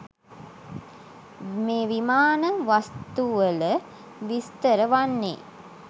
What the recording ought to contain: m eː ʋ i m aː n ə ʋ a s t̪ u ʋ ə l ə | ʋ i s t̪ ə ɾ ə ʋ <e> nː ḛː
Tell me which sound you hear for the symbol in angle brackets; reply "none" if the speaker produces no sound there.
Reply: a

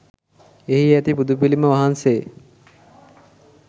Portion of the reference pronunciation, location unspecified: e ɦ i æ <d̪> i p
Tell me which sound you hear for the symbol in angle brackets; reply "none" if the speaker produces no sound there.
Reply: t̪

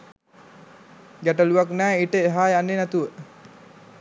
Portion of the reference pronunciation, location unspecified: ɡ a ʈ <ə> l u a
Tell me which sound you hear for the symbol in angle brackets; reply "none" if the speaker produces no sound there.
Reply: ə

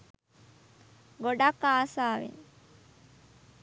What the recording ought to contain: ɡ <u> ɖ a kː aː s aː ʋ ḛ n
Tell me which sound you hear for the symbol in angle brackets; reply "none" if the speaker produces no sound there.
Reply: o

